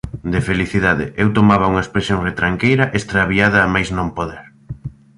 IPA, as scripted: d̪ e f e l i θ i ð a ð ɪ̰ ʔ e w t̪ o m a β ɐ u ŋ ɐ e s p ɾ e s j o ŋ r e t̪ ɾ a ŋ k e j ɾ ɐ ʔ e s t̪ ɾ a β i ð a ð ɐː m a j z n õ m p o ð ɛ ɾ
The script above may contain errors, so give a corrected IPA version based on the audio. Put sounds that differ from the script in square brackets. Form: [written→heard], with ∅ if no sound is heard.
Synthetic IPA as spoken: d̪ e f e l i θ i ð a ð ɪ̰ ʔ e w t̪ o m a β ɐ u ŋ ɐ e s p ɾ e s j o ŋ r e t̪ ɾ a ŋ k e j ɾ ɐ ʔ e s t̪ ɾ a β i [ð→∅] a ð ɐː m a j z n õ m p o ð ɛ ɾ